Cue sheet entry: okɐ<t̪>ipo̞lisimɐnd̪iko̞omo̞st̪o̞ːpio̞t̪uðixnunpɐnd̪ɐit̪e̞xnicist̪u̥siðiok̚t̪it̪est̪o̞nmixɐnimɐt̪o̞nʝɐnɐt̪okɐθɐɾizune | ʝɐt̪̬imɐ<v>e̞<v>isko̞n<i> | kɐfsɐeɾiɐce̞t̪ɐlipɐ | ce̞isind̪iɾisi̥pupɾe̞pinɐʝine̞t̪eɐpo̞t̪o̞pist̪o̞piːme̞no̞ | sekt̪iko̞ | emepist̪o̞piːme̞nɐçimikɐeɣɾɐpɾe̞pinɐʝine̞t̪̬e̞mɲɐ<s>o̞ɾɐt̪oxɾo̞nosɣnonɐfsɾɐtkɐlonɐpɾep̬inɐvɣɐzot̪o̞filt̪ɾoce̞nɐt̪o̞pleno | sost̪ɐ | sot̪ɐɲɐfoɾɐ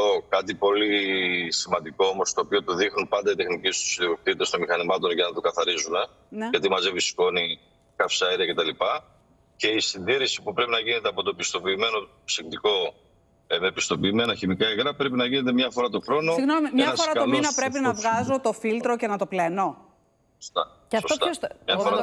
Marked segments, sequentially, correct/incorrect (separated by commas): correct, incorrect, correct, correct, incorrect